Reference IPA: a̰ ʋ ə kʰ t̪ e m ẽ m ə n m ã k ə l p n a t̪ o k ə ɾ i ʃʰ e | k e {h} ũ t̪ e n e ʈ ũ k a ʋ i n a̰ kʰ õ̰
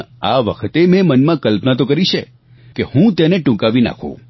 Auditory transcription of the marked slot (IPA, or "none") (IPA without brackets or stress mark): h